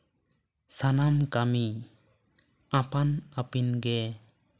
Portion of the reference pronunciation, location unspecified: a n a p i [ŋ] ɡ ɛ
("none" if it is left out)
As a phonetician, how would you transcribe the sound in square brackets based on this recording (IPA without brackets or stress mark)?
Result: n